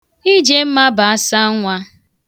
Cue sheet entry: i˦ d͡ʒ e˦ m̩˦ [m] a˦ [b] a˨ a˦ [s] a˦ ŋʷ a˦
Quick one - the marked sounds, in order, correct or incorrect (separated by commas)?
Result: correct, correct, correct